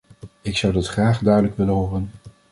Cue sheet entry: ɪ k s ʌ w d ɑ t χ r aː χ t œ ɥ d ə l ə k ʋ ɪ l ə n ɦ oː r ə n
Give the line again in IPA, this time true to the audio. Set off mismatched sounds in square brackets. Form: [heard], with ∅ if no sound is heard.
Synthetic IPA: ɪ k s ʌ w d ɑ t χ r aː χ [d] œ ɥ d ə l ə k ʋ ɪ l ə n ɦ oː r ə n

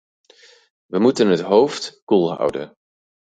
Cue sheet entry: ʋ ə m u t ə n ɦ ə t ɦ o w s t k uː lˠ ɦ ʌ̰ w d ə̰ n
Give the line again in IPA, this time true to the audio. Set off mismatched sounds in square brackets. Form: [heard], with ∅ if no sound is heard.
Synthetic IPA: ʋ ə m u t ə n ɦ ə t ɦ o w [f] t k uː lˠ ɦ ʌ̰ w d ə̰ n

